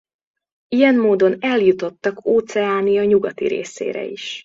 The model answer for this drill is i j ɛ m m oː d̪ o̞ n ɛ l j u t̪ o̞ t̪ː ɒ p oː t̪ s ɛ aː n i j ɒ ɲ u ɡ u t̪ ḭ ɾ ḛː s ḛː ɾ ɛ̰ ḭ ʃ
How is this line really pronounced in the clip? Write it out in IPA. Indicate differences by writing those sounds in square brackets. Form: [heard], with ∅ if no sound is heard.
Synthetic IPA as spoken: i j ɛ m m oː d̪ o̞ n ɛ l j u t̪ o̞ t̪ː ɒ [k] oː t̪ s ɛ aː n i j ɒ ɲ u ɡ [ɒ] t̪ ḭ ɾ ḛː s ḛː ɾ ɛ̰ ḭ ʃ